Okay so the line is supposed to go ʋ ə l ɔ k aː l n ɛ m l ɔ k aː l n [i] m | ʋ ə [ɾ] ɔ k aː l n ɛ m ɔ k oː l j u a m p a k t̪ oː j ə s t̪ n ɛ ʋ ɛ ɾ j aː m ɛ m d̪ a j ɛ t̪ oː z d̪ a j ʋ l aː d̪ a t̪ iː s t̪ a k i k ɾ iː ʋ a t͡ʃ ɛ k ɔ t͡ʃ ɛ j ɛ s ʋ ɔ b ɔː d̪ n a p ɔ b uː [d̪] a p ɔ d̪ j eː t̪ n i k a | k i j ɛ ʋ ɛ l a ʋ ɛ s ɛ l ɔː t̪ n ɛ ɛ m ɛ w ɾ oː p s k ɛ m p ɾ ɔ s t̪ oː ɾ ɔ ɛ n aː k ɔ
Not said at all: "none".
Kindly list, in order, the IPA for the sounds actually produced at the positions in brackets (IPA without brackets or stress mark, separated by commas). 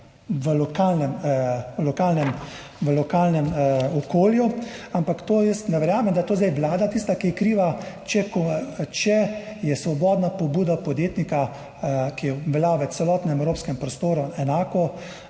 ɛ, l, d̪